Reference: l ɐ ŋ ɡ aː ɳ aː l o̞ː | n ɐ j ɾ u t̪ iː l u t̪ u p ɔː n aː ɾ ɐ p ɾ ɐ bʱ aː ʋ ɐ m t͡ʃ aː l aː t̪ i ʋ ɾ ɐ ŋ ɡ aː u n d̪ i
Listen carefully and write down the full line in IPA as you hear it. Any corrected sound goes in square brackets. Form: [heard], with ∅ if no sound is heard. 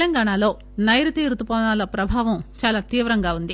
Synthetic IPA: l ɐ ŋ ɡ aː ɳ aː l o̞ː | n ɐ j ɾ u t̪ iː [ɾ] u t̪ u p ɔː n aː [l] ɐ p ɾ ɐ bʱ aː ʋ ɐ m t͡ʃ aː l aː t̪ [iː] ʋ ɾ ɐ ŋ ɡ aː u n d̪ i